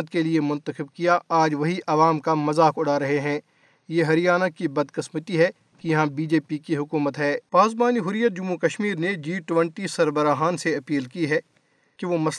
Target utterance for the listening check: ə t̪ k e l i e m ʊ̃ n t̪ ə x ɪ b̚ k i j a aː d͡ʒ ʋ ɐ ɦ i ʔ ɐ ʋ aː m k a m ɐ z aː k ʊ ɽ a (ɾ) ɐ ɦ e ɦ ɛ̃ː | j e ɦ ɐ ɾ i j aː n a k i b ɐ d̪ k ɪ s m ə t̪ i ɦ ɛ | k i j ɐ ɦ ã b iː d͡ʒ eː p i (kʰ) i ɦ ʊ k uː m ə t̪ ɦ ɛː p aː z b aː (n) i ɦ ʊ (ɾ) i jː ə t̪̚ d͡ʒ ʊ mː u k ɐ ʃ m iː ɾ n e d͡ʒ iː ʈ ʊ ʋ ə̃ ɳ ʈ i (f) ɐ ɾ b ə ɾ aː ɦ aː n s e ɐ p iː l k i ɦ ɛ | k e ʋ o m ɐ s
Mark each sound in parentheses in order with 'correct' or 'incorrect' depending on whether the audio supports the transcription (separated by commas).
correct, incorrect, correct, correct, incorrect